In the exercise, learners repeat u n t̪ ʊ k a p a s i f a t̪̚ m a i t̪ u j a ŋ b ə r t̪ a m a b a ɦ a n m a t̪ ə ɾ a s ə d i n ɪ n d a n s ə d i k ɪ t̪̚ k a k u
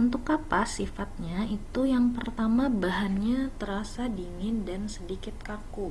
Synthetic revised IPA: u n t̪ ʊ k a p a s i f a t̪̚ ɲ a i t̪ u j a ŋ p ə r t̪ a m a b a ɦ a n ɲ a t̪ ə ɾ a s a d i ŋ ɪ n d a n s ə d i k ɪ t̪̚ k a k u